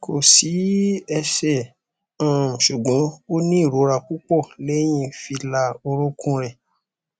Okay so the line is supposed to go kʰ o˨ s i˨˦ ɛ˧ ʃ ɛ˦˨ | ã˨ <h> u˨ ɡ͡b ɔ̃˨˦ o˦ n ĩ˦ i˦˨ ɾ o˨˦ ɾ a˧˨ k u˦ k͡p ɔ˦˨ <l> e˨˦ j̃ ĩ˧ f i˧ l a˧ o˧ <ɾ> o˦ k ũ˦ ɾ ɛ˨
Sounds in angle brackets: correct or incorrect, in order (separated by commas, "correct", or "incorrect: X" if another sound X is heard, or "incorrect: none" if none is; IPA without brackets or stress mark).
incorrect: ʃ, correct, correct